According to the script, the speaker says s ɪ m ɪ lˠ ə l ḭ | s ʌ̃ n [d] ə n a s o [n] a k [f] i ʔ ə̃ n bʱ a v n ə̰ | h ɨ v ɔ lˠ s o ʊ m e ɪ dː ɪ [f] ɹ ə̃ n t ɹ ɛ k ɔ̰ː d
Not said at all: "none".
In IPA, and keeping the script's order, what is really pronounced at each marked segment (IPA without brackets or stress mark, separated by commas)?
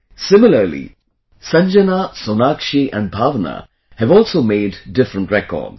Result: d͡ʒ, n, ʃ, f